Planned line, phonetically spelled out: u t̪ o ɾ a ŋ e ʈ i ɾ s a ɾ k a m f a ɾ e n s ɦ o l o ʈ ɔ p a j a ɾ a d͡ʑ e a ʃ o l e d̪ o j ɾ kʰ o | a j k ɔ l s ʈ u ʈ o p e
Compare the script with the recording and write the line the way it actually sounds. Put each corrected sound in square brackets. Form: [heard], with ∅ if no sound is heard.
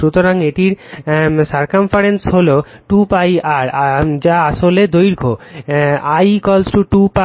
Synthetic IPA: u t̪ o ɾ a ŋ e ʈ i ɾ s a ɾ k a m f a ɾ e n s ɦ o l o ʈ [u] p a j a ɾ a d͡ʑ [a] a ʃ o l e d̪ o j ɾ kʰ o | a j k ɔ l s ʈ u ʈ [u] p [a]